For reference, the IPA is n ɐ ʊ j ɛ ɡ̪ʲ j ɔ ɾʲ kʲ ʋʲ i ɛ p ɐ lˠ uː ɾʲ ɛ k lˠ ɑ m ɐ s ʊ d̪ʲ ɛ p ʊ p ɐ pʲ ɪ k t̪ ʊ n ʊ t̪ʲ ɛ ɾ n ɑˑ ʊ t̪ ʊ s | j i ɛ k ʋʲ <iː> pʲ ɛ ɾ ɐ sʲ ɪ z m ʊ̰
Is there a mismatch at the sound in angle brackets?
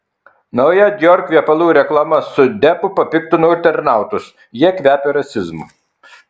yes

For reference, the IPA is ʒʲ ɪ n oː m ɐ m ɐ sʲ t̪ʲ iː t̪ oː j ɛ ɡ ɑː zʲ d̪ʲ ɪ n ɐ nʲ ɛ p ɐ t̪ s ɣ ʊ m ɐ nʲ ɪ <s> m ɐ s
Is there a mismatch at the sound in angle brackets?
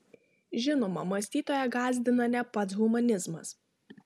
yes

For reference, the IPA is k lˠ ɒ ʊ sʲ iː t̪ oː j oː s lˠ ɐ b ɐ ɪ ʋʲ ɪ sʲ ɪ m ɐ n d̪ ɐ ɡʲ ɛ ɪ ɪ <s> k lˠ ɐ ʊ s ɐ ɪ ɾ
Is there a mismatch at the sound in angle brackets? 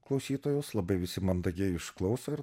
yes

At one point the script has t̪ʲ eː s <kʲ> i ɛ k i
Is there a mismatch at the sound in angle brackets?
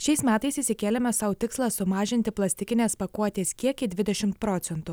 no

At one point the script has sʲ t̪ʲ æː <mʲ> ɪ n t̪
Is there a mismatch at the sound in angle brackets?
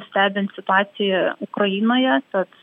yes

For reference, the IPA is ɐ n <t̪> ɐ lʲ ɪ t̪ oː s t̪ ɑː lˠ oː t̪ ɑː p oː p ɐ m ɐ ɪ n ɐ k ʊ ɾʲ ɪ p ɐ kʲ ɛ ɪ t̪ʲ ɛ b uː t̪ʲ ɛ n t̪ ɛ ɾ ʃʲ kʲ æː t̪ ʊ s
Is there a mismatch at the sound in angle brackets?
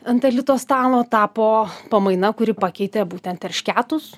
no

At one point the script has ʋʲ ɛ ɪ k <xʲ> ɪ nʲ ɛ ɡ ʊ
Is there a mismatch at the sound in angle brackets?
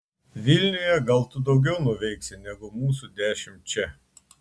yes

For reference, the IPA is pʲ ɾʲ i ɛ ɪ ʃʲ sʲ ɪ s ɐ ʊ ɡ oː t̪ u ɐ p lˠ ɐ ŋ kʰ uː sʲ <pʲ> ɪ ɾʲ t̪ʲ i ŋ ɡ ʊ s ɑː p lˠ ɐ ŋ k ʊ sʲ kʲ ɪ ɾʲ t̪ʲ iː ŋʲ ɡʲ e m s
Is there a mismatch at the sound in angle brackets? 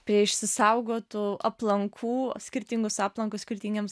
yes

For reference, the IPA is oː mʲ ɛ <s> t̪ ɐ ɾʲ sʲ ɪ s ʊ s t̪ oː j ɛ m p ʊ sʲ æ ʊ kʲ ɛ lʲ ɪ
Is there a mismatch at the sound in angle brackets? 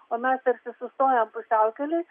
no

